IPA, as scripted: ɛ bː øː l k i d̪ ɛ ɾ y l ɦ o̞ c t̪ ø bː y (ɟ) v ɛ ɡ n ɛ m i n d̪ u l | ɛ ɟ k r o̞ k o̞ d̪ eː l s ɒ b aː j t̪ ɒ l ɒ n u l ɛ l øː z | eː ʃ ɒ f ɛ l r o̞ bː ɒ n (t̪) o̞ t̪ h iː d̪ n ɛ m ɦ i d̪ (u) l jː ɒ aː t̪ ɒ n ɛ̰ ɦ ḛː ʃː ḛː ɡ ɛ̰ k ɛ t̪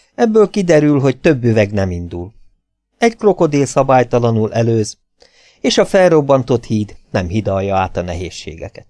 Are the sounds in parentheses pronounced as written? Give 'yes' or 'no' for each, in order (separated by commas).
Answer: no, yes, no